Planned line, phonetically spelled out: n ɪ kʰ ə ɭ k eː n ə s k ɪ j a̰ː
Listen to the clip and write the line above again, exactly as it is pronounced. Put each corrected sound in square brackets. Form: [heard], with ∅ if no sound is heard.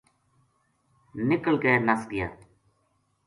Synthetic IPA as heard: n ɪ [k] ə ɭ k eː n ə s [ɡ] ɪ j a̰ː